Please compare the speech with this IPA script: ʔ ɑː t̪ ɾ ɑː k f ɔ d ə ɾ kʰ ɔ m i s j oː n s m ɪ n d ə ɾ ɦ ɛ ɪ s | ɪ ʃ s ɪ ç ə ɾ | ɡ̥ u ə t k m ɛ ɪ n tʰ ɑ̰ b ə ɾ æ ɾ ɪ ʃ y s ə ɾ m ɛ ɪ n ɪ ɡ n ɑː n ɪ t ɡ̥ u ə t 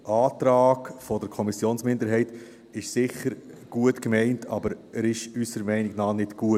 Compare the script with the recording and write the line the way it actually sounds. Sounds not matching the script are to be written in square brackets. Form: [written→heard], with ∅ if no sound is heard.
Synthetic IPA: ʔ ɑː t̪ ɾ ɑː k f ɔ d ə ɾ kʰ ɔ m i s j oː n s m ɪ n d ə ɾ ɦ ɛ ɪ [s→t] | ɪ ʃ s ɪ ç ə ɾ | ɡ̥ u ə t k m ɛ ɪ n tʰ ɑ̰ b ə ɾ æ ɾ ɪ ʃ y s ə ɾ m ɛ ɪ n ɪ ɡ n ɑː n ɪ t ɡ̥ u ə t